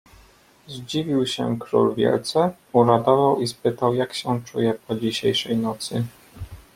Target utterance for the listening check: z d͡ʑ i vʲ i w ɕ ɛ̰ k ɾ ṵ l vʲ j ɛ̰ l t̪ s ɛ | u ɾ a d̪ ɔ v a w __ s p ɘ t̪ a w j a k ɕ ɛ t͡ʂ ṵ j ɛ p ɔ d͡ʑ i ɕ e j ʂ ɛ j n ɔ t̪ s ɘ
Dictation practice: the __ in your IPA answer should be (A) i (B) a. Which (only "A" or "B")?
A